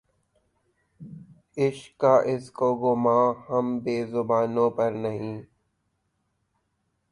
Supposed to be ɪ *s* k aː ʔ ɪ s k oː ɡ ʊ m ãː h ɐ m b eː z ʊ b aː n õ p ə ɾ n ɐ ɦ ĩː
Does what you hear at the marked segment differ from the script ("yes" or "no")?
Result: yes